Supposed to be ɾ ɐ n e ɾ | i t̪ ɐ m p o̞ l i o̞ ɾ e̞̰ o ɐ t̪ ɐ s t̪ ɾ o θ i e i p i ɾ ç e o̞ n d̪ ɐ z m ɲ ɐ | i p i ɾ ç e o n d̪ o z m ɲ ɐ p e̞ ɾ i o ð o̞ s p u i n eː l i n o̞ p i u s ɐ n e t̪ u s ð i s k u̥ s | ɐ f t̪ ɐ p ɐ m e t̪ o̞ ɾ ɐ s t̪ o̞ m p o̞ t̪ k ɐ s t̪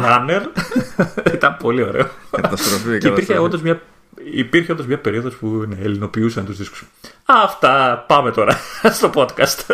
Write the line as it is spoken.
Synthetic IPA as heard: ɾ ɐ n e ɾ | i t̪ ɐ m p o̞ l i o̞ ɾ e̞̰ o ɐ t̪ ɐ s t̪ ɾ o f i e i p i ɾ ç e o̞ n d̪ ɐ z m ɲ ɐ | i p i ɾ ç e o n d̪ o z m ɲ ɐ p e̞ ɾ i o ð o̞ s p u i n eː l i n o̞ p i u s ɐ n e t̪ u z ð i s k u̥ s | ɐ f t̪ ɐ p ɐ m e t̪ o̞ ɾ ɐ s t̪ o̞ p o̞ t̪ k ɐ s t̪